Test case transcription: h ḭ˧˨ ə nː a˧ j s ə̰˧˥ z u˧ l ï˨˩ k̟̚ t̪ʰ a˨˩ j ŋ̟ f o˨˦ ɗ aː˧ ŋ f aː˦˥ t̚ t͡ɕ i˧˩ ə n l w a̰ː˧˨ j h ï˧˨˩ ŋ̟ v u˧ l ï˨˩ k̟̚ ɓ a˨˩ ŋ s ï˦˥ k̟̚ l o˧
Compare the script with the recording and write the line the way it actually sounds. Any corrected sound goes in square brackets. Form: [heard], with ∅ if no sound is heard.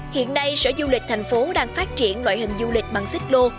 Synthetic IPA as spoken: h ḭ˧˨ ə nː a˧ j s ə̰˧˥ z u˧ l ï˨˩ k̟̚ t̪ʰ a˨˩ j ŋ̟ f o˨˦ ɗ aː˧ ŋ f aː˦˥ t̚ t͡ɕ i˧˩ ə n l w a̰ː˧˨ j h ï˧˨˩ ŋ̟ [z] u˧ l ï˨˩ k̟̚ ɓ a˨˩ ŋ s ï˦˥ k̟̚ l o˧

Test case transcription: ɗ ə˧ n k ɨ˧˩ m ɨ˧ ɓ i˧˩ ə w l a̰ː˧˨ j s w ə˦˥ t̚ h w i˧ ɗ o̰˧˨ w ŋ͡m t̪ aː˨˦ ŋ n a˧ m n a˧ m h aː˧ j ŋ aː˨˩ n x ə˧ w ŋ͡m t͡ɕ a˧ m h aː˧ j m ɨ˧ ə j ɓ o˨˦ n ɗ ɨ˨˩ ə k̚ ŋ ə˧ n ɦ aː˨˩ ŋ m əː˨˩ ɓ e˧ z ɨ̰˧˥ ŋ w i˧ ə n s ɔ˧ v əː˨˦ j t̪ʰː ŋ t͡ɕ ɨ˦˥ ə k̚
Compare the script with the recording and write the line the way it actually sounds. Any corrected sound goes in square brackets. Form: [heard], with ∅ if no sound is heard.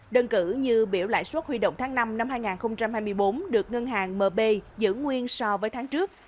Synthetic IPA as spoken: ɗ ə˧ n k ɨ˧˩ [ɲ] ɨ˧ ɓ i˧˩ ə w l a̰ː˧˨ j s w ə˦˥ t̚ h w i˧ ɗ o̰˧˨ w ŋ͡m t̪ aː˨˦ ŋ n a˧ m n a˧ m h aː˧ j ŋ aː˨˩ n x ə˧ w ŋ͡m t͡ɕ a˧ m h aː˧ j m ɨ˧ ə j ɓ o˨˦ n ɗ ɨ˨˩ ə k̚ ŋ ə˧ n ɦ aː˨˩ ŋ m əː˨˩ ɓ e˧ z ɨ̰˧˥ ŋ w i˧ ə n s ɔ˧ v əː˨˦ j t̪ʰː ŋ t͡ɕ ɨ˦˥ ə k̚

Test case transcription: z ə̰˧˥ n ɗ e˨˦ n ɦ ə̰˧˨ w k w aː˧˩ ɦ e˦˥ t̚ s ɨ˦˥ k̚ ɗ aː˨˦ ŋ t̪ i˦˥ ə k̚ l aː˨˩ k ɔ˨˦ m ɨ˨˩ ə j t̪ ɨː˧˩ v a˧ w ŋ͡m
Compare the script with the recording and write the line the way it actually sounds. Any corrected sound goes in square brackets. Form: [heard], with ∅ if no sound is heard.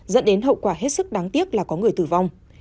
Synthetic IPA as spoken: z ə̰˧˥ n ɗ e˨˦ n ɦ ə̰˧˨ w k w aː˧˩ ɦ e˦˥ t̚ s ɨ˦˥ k̚ ɗ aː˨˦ ŋ t̪ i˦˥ ə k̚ l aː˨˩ k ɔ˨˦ [ŋ] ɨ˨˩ ə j t̪ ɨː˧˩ v a˧ w ŋ͡m

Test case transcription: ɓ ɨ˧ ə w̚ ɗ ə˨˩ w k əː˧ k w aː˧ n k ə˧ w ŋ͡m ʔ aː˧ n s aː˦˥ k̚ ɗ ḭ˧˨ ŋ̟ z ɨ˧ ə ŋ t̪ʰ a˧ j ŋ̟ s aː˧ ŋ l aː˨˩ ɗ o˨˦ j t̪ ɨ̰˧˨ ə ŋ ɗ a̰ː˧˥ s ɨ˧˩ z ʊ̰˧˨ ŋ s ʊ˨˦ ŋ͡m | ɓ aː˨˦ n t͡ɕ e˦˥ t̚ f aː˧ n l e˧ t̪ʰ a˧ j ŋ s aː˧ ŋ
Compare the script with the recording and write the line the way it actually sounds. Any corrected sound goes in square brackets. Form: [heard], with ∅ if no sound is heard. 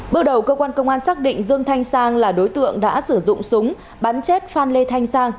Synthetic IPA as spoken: ɓ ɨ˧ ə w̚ ɗ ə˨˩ w k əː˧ k w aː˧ n k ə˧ w ŋ͡m ʔ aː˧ n s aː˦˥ k̚ ɗ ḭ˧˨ ŋ̟ z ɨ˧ ə ŋ t̪ʰ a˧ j ŋ̟ s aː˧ ŋ l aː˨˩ ɗ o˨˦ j t̪ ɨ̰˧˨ ə ŋ ɗ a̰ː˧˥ s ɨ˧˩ z ʊ̰˧˨ [ŋ͡m] s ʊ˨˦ ŋ͡m | ɓ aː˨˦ n t͡ɕ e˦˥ t̚ f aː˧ n l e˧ t̪ʰ a˧ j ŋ s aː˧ ŋ

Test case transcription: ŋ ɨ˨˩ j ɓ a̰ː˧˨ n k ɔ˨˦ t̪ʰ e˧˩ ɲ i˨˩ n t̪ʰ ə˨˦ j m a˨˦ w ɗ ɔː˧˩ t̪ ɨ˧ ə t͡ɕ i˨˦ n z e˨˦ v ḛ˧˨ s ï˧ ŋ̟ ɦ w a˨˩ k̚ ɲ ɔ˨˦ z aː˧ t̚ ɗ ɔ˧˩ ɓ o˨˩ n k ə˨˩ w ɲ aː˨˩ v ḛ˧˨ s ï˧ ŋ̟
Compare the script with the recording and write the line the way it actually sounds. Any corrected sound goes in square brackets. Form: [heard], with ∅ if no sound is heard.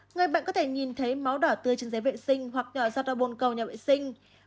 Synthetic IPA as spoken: ŋ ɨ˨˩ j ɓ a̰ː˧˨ n k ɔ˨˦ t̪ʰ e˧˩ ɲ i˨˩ n t̪ʰ ə˨˦ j m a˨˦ w ɗ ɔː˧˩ t̪ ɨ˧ ə t͡ɕ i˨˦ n z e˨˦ v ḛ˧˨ s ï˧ ŋ̟ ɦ w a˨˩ k̚ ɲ [ɔ˧˩] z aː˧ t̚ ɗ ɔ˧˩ ɓ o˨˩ n k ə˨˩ w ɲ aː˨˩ v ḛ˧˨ s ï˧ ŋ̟

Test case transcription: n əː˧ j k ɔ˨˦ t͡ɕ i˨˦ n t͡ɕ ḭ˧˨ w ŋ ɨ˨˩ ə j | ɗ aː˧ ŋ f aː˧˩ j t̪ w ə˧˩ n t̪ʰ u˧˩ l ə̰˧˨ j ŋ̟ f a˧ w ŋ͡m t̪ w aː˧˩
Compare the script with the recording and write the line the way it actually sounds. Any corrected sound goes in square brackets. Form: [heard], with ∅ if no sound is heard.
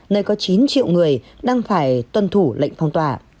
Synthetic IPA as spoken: n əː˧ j k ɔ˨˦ t͡ɕ i˨˦ n t͡ɕ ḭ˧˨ w ŋ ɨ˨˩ ə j | ɗ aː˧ ŋ f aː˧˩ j t̪ w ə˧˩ n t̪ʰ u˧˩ l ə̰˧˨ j ŋ̟ f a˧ w ŋ͡m t̪ w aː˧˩

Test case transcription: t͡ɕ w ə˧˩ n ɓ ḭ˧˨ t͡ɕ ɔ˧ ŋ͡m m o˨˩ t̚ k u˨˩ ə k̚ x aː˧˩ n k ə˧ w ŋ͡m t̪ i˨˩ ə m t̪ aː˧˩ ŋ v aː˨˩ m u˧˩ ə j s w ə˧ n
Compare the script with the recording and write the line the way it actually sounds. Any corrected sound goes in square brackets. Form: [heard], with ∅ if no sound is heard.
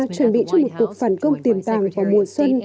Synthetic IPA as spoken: t͡ɕ w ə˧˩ n ɓ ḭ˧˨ t͡ɕ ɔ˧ ŋ͡m m o˨˩ t̚ k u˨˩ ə k̚ [f] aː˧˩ n k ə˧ w ŋ͡m t̪ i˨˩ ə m t̪ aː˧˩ ŋ v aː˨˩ m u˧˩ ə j s w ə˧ n

